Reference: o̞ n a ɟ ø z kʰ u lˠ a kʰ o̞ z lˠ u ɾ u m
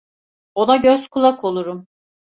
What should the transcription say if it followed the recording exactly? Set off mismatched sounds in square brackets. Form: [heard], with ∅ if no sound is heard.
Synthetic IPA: o̞ n a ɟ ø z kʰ u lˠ a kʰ o̞ [∅] lˠ u ɾ u m